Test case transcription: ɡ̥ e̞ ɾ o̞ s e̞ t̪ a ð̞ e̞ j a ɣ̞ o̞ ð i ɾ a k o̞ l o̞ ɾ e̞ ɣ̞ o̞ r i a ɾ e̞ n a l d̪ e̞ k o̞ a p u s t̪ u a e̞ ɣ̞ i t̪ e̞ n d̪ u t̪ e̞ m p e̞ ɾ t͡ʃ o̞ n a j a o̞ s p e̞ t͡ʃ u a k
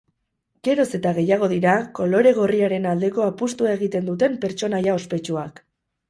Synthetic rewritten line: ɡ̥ e̞ ɾ o̞ s e̞ t̪ a ɣ̞ e̞ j a ɣ̞ o̞ ð i ɾ a k o̞ l o̞ ɾ e̞ ɣ̞ o̞ r i a ɾ e̞ n a l d̪ e̞ k o̞ a p u s t̪ u a e̞ ɣ̞ i t̪ e̞ n d̪ u t̪ e̞ m p e̞ ɾ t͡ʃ o̞ n a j a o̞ s p e̞ t͡ʃ u a k